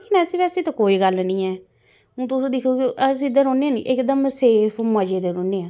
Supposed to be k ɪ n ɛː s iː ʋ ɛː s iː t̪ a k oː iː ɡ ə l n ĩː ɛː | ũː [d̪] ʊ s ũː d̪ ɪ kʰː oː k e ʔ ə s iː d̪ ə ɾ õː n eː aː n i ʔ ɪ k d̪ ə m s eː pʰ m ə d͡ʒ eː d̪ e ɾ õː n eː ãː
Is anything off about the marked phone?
yes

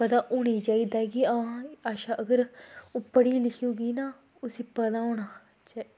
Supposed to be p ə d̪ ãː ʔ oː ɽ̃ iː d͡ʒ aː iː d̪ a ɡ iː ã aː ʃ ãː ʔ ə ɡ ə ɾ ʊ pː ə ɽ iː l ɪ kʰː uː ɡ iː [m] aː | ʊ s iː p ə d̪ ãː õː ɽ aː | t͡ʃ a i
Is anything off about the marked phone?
yes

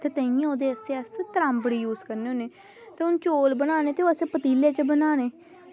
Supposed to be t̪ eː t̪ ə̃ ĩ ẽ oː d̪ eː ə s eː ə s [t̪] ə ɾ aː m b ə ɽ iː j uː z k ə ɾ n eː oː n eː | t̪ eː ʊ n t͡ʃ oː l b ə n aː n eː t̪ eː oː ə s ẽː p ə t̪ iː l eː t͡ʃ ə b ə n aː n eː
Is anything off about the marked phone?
no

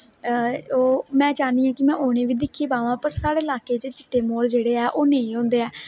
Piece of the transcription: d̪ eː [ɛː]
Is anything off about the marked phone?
no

